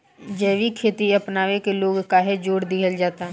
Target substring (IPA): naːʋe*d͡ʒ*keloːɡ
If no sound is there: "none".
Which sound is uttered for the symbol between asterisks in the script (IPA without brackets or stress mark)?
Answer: none